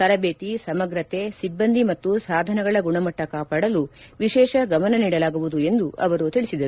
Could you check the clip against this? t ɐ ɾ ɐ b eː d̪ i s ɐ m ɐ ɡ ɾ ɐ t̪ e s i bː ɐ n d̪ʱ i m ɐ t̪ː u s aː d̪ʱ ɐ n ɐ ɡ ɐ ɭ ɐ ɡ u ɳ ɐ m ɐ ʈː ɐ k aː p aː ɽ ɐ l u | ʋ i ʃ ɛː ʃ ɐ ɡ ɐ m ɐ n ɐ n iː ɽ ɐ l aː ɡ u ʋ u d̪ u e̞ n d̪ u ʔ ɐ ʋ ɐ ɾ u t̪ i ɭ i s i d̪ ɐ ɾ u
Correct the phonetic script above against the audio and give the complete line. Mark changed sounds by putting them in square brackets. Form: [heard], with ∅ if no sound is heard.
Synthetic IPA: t ɐ ɾ ɐ b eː [t̪] i s ɐ m ɐ ɡ ɾ ɐ t̪ e s i bː ɐ n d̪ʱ i m ɐ t̪ː u s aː d̪ʱ ɐ n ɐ ɡ ɐ ɭ ɐ ɡ u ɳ ɐ m ɐ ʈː ɐ k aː p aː ɽ ɐ l u | ʋ i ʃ ɛː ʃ ɐ ɡ ɐ m ɐ n ɐ n iː ɽ ɐ l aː ɡ u ʋ u d̪ u e̞ n d̪ u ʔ ɐ ʋ ɐ ɾ u t̪ i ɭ i s i d̪ ɐ ɾ u